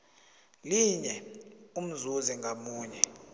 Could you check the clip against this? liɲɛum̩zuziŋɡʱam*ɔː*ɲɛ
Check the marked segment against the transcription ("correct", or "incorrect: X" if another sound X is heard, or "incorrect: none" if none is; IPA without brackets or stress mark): incorrect: uː